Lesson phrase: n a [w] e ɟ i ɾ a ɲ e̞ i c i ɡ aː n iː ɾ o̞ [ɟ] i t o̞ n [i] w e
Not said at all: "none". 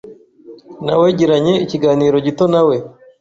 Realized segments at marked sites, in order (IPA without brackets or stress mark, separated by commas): w, ɟ, a